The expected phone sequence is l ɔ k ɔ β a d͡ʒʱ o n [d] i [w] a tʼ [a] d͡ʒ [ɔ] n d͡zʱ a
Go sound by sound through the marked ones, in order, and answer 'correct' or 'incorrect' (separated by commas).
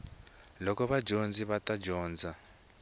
incorrect, incorrect, correct, incorrect